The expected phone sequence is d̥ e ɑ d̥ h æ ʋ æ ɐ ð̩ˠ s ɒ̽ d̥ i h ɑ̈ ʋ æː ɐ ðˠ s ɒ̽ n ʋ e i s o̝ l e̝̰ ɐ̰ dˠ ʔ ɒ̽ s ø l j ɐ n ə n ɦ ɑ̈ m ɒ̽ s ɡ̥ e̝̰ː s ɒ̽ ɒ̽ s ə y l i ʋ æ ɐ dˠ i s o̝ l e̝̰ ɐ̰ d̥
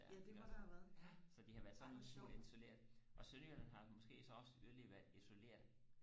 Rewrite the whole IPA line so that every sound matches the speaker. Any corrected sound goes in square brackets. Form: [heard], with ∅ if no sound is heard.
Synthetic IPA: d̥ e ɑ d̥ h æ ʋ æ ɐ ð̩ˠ s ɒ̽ d̥ i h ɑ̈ ʋ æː ɐ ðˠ s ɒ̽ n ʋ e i s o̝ l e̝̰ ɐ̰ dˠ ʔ ɒ̽ s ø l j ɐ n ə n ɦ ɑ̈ m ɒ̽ s ɡ̥ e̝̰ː s ɒ̽ ɒ̽ s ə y l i ʋ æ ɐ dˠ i s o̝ l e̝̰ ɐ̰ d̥